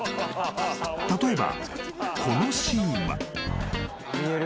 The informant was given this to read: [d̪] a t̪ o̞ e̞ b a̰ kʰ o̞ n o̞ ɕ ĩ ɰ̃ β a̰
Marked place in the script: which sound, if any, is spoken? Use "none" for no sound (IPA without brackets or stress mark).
t̪